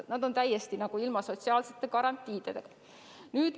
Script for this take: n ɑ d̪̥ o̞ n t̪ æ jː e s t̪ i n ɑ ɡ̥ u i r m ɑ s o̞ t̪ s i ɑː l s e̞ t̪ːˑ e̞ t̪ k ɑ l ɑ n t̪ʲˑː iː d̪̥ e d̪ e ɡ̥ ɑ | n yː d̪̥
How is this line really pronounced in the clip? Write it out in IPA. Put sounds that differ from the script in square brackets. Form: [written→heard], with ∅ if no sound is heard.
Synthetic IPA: n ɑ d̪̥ o̞ n t̪ æ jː e s t̪ i n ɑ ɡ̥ u i [r→l] m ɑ s o̞ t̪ s i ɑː l s e̞ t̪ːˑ e̞ [t̪→∅] k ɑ [l→ɾ] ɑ n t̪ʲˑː iː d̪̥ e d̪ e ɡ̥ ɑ | n yː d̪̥